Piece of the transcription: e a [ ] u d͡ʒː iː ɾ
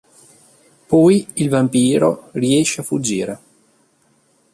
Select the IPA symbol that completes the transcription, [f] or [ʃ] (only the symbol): f